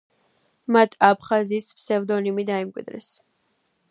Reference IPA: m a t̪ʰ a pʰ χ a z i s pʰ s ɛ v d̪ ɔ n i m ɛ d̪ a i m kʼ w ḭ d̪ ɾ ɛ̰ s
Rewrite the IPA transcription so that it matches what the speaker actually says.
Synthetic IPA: m a t̪ʰ a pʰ χ a z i s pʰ s ɛ v d̪ ɔ n i m i d̪ a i m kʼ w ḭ d̪ ɾ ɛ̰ s

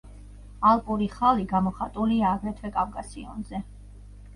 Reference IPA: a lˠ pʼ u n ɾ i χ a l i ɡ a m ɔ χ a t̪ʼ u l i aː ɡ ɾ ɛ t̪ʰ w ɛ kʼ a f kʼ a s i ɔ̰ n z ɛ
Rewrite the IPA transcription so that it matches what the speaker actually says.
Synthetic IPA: a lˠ pʼ u ɾ i χ a l i ɡ a m ɔ χ a t̪ʼ u l i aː ɡ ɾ ɛ t̪ʰ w ɛ kʼ a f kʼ a s i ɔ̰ n z ɛ

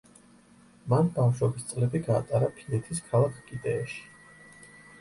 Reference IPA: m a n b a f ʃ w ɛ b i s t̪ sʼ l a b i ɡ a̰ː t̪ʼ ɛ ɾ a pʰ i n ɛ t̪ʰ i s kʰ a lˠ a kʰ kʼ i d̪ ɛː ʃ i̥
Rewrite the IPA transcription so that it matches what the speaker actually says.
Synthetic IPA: m a n b a f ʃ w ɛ b i s t̪ sʼ l ɛ b i ɡ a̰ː t̪ʼ a ɾ a pʰ i n ɛ t̪ʰ i s kʰ a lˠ a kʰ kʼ i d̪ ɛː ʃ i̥

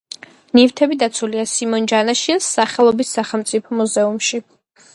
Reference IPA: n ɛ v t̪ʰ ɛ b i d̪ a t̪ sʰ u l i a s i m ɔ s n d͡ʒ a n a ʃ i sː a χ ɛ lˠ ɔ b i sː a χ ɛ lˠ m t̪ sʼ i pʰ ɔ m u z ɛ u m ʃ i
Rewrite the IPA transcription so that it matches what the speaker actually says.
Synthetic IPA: n i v t̪ʰ ɛ b i d̪ a t̪ sʰ u l i a s i m ɔ n d͡ʒ a n a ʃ i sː a χ ɛ lˠ ɔ b i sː a χ ɛ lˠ m t̪ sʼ i pʰ ɔ m u z ɛ u m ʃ i

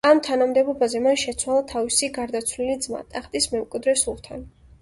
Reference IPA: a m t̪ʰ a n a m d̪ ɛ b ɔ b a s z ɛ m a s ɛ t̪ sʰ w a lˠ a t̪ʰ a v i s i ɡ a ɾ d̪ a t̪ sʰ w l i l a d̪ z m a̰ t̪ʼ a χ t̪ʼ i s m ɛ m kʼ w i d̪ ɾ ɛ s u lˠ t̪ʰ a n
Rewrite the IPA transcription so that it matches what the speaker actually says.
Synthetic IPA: a m t̪ʰ a n a m d̪ ɛ b ɔ b a z ɛ m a ʃ ɛ t̪ sʰ w a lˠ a t̪ʰ a v i s i ɡ a ɾ d̪ a t̪ sʰ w l i l i d̪ z m a̰ t̪ʼ a χ t̪ʼ i s m ɛ m kʼ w i d̪ ɾ ɛ s u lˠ t̪ʰ a n

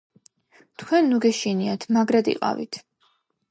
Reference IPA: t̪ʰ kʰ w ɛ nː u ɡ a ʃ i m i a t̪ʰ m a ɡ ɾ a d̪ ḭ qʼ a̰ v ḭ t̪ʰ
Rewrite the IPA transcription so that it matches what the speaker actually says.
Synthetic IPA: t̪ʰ kʰ w ɛ nː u ɡ ɛ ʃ i n i a t̪ʰ m a ɡ ɾ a d̪ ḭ qʼ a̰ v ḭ t̪ʰ

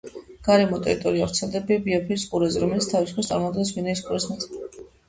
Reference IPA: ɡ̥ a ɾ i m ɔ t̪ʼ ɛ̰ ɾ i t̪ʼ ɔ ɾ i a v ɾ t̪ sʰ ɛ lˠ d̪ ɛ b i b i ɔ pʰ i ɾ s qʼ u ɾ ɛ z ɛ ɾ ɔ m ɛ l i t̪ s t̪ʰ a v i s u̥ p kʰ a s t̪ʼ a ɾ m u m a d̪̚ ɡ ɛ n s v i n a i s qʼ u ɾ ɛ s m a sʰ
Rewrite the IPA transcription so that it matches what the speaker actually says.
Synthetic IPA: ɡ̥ a ɾ ɛ m ɔ t̪ʼ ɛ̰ ɾ i t̪ʼ ɔ ɾ i a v ɾ t̪ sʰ ɛ lˠ d̪ ɛ b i b i ɔ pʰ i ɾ s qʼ u ɾ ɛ z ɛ ɾ ɔ m ɛ l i t̪ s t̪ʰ a v i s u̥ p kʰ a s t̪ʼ a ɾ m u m a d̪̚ ɡ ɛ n s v i n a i s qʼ u ɾ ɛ s m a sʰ

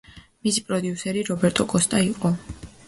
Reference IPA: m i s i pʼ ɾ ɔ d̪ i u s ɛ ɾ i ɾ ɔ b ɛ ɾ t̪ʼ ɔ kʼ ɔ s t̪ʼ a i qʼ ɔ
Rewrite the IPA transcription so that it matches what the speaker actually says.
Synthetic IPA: m i s i pʼ ɾ ɔ d̪ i u s ɛ ɾ i ɾ ɔ b ɛ ɾ t̪ʼ ɔ kʼ ɔ s t̪ʼ a i qʼ ɔ

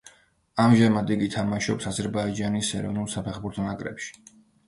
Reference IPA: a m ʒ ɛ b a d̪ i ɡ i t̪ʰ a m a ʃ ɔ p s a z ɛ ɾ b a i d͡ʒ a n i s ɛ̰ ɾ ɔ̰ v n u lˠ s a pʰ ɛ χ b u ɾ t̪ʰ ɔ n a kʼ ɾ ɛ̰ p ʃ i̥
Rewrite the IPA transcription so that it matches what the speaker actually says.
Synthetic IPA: a m ʒ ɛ m a d̪ i ɡ i t̪ʰ a m a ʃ ɔ p s a z ɛ ɾ b a i d͡ʒ a n i s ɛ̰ ɾ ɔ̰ v n u lˠ s a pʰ ɛ χ b u ɾ t̪ʰ ɔ n a kʼ ɾ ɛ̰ p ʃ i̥

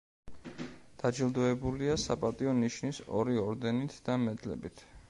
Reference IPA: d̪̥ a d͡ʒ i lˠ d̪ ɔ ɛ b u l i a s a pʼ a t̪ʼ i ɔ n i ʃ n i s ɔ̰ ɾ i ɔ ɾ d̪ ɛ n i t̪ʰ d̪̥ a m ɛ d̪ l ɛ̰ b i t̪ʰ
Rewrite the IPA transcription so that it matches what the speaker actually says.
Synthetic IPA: d̪̥ a d͡ʒ i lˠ d̪ ɔ ɛ b u l i a s a pʼ a t̪ʼ i ɔ n i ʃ n i s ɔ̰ ɾ i ɔ ɾ d̪ ɛ n i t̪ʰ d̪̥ a m ɛ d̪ l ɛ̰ b i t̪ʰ

